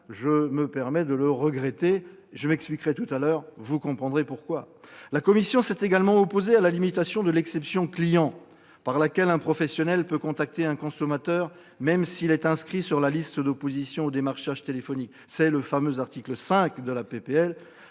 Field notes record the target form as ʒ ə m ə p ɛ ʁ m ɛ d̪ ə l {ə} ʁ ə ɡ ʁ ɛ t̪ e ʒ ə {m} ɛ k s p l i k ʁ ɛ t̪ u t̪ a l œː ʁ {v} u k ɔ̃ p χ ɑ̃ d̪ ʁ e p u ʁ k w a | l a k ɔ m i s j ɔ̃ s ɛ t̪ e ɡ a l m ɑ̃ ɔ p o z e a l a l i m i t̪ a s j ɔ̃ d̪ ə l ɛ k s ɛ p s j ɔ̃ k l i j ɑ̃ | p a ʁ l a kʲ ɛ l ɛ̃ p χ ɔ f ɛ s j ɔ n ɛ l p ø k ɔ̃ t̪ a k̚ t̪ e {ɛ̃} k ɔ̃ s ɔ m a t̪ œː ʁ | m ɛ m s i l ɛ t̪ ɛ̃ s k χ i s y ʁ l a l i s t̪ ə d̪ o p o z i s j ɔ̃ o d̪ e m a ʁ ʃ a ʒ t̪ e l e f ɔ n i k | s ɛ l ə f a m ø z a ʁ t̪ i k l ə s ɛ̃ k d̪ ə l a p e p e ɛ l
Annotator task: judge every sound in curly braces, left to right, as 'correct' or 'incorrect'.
correct, correct, correct, correct

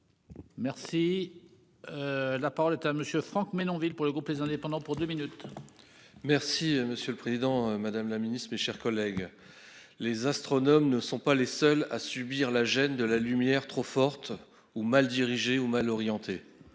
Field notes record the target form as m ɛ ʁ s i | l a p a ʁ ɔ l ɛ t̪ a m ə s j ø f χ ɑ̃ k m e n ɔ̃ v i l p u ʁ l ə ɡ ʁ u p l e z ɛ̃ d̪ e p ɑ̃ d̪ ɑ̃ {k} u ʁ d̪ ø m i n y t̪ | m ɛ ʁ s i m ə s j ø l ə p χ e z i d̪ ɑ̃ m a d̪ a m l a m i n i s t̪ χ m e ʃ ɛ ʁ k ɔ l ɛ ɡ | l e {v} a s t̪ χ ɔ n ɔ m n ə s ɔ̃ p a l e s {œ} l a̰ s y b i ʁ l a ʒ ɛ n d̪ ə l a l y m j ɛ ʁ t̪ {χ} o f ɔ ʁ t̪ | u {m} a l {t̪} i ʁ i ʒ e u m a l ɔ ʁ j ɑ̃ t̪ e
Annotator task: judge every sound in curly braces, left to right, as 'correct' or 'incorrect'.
incorrect: p, incorrect: z, correct, correct, correct, incorrect: d̪

